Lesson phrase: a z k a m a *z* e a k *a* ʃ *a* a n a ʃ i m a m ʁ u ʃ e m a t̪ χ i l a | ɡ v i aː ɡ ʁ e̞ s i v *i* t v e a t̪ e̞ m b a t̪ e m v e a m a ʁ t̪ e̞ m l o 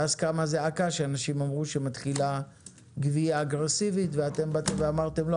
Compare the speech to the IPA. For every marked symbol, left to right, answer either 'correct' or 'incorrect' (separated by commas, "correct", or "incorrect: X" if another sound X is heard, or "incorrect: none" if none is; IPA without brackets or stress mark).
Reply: correct, correct, incorrect: e, correct